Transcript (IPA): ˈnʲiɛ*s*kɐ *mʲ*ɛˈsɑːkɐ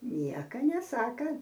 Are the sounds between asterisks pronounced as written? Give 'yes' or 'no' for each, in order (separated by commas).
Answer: no, no